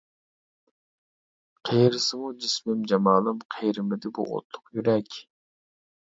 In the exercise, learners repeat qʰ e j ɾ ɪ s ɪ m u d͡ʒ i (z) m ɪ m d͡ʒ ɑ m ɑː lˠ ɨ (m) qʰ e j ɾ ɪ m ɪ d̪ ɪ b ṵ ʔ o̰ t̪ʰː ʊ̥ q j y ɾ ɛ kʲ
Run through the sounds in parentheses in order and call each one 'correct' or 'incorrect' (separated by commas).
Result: incorrect, correct